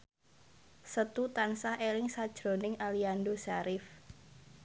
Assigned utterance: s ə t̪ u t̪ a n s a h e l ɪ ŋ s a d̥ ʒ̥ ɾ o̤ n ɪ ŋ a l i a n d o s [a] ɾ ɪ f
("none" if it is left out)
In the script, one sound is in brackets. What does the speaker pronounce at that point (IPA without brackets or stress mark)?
a